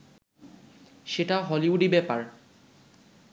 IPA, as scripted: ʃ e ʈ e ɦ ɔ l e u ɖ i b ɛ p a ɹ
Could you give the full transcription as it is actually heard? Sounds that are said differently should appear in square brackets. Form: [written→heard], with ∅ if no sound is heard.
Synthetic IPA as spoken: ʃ e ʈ [e→a] ɦ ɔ l [e→i] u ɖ i b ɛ p a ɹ